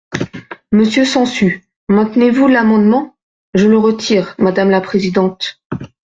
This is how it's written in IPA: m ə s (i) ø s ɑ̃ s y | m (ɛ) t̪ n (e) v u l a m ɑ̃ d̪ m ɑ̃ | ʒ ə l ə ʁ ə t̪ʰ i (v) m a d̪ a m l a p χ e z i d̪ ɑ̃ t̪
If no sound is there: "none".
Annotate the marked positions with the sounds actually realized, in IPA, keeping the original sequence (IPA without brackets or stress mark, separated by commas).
j, ɛ̃, e, ʁ